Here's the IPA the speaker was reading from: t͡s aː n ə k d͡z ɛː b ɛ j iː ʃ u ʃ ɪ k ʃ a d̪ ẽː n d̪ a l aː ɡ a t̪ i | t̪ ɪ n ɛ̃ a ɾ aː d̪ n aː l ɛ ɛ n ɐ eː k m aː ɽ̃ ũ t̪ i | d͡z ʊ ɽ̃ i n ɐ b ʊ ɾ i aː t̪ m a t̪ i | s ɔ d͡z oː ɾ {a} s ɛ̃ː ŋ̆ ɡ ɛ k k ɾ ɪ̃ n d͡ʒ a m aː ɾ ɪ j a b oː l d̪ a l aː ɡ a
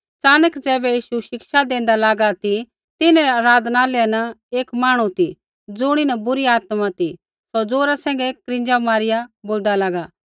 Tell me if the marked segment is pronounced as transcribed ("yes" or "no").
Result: yes